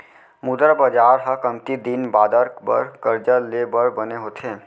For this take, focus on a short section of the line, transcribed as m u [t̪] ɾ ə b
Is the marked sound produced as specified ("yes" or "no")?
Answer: no